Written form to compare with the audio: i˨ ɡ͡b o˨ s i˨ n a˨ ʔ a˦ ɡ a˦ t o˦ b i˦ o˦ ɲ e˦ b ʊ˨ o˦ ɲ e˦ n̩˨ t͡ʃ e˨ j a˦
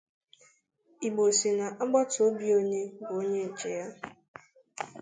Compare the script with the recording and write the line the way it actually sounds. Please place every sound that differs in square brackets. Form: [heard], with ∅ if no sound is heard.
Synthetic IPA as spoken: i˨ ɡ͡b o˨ s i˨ n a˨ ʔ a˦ [ɡ͡b] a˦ t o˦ b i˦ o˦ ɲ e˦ b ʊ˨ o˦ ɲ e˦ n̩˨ t͡ʃ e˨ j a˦